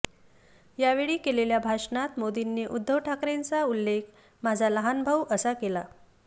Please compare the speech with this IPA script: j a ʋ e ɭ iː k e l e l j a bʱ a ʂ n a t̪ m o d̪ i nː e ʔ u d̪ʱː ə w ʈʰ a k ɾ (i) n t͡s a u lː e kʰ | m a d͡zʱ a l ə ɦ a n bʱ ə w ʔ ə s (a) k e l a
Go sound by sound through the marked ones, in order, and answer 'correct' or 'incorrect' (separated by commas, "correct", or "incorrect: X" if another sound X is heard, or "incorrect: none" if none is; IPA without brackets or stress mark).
incorrect: e, correct